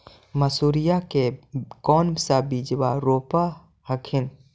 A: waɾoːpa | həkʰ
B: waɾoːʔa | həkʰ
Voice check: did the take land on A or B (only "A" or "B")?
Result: A